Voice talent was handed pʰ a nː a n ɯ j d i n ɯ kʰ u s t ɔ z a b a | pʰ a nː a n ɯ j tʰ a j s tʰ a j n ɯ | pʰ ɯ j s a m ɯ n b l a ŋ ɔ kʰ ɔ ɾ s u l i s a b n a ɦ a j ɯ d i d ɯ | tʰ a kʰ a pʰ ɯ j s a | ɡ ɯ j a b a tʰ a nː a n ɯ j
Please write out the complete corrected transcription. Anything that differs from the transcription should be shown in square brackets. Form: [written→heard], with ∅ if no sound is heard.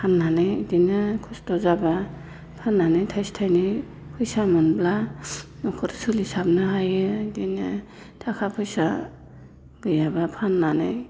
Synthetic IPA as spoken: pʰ a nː a n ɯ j d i n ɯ kʰ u s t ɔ z a b a | pʰ a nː a n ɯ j tʰ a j s tʰ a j n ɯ | pʰ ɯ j s a m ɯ n b l a [ŋ→n] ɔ kʰ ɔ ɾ s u l i s a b n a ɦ a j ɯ d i [d→n] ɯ | tʰ a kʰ a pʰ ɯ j s a | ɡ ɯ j a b a [tʰ→pʰ] a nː a n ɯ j